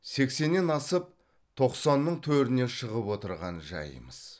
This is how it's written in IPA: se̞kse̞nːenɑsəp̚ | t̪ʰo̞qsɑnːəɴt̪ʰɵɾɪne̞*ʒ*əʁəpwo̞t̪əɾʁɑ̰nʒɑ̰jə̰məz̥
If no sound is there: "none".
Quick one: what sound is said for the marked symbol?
ʃ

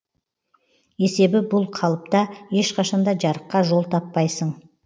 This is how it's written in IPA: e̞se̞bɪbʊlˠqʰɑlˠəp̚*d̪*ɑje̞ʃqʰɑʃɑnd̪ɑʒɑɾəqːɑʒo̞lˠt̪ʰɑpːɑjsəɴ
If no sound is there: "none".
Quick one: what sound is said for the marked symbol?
t̪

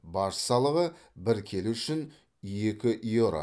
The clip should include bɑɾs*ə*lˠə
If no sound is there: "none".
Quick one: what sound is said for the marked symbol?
ɑ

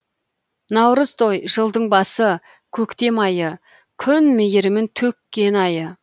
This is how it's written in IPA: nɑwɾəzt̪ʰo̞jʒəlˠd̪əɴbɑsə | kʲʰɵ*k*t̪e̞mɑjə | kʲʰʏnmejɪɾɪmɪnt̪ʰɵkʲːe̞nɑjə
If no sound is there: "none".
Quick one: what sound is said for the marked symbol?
k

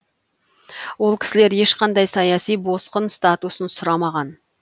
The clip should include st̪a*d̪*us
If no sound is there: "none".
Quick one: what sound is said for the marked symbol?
t̪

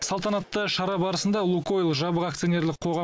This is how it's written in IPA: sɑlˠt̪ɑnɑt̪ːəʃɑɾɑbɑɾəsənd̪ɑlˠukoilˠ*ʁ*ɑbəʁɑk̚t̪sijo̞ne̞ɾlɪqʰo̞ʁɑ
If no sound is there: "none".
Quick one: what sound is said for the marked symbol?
ʒ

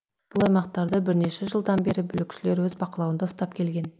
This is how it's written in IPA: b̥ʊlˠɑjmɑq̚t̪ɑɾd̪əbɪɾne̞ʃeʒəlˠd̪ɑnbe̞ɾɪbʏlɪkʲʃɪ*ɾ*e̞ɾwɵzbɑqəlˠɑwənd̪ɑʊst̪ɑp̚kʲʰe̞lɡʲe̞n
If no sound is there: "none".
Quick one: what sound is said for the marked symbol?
l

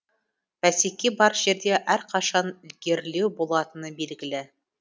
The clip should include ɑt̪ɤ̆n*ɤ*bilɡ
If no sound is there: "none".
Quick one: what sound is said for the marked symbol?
ɤ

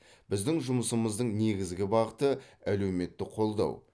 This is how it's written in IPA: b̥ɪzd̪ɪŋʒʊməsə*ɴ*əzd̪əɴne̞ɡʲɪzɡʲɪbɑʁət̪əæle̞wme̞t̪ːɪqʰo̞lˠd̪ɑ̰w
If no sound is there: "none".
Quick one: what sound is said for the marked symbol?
m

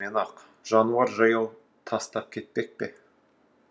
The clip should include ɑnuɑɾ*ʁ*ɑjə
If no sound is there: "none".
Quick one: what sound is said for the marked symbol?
ʒ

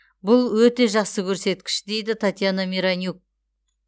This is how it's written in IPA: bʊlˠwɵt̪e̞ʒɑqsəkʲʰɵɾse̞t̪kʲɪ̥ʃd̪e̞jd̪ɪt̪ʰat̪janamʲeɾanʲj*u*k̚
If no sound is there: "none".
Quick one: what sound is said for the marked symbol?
u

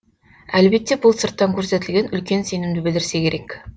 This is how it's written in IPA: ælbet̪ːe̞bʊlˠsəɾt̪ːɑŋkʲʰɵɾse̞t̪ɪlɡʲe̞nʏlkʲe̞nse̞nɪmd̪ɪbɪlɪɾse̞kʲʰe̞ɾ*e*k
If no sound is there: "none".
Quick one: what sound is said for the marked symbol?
e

